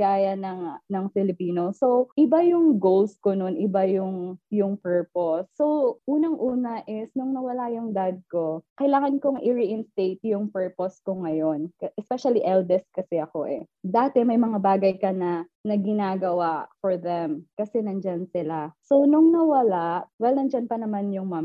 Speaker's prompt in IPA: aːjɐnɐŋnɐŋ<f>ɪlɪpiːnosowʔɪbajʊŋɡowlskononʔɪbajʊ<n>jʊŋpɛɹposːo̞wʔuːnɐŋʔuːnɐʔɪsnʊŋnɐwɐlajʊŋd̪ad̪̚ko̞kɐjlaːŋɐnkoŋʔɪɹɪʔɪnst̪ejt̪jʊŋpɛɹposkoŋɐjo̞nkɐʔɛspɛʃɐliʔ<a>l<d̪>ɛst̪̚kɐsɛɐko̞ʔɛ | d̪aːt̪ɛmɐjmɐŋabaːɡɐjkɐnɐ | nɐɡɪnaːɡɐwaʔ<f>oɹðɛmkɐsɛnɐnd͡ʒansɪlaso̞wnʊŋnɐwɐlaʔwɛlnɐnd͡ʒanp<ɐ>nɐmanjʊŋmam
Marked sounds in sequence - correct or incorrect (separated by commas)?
correct, incorrect, incorrect, correct, correct, correct